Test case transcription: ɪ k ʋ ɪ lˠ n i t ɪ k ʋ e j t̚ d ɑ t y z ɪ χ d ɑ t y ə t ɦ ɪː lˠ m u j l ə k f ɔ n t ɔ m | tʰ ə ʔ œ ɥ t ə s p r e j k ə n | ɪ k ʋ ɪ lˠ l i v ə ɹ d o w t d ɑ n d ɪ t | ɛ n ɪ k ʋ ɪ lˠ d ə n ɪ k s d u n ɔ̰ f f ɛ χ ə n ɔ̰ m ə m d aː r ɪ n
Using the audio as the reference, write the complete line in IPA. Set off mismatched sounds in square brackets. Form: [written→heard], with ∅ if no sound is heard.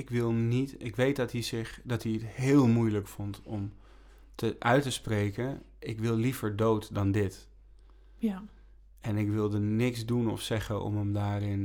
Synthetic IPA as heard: ɪ k ʋ ɪ lˠ n i t ɪ k ʋ e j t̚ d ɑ t [y→i] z ɪ χ d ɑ t [y→i] ə t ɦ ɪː lˠ m u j l ə k f ɔ n t ɔ m | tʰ ə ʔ œ ɥ t ə s p r e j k ə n | ɪ k ʋ ɪ lˠ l i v ə ɹ d o w t d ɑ n d ɪ t | ɛ n ɪ k ʋ ɪ lˠ d ə n ɪ k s d u n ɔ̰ f [f→s] ɛ χ ə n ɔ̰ m ə m d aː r ɪ n